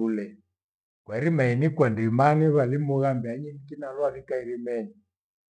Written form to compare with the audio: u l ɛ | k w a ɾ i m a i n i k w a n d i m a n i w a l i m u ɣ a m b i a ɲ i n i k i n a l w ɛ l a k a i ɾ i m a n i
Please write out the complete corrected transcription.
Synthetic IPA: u l ɛ | k w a ɾ i m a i n i k w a n d i m a n i β a l i m u ɣ a m b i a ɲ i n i k i n a l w a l i k a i ɾ i m ɛ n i